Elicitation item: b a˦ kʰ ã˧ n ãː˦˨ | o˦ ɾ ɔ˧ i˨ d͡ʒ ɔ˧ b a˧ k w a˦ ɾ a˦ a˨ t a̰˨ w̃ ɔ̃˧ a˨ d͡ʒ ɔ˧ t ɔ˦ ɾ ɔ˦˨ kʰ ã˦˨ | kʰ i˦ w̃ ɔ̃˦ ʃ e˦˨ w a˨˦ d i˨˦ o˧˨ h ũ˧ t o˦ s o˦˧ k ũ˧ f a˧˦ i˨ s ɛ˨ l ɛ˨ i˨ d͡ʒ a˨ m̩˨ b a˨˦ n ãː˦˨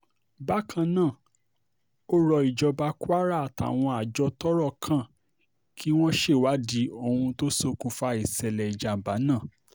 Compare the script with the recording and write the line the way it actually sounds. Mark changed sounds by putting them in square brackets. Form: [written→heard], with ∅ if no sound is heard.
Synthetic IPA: b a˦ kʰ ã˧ n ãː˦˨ | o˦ ɾ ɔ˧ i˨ d͡ʒ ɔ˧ b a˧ k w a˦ ɾ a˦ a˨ t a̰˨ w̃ ɔ̃˧ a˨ d͡ʒ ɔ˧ t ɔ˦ ɾ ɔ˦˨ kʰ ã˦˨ | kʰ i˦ w̃ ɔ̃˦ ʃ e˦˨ w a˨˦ d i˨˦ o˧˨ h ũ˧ t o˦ s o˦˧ k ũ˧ f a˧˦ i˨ s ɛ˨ l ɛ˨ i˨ d͡ʒ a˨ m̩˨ b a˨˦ n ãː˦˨